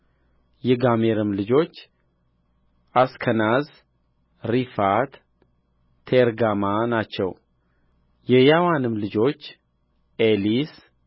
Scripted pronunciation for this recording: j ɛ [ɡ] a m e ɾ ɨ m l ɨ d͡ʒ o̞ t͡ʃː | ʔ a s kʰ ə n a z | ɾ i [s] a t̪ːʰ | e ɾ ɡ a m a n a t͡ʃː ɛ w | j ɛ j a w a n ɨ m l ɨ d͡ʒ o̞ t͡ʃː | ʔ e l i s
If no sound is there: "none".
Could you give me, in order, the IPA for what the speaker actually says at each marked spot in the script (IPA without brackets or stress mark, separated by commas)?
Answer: ɡ, f